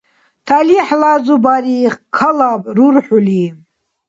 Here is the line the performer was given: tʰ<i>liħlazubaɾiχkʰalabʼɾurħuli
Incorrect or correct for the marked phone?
incorrect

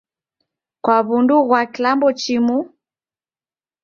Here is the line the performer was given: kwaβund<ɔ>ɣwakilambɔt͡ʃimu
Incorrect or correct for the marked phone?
incorrect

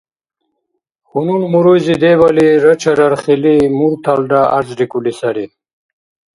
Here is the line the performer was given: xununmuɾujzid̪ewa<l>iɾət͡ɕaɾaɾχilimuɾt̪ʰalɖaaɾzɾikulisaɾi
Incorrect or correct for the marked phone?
correct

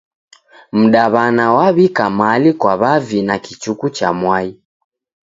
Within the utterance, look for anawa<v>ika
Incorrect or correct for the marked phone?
incorrect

